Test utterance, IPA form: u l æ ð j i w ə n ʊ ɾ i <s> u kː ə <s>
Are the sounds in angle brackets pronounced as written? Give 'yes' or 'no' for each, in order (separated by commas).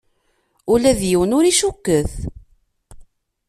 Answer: no, no